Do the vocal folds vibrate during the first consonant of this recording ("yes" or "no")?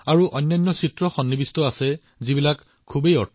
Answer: yes